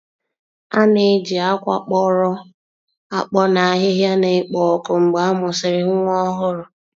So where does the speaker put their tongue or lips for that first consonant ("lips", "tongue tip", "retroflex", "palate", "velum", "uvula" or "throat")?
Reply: tongue tip